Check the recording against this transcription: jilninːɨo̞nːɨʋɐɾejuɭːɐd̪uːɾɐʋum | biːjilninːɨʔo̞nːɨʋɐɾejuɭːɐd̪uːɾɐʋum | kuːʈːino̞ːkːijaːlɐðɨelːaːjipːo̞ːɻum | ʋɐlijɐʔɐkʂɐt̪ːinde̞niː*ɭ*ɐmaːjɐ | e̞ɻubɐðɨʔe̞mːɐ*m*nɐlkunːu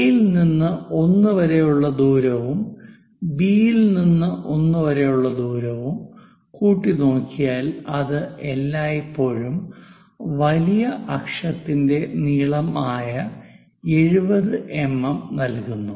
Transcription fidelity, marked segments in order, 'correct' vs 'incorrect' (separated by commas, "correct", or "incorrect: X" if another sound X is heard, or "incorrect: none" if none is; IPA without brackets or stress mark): correct, correct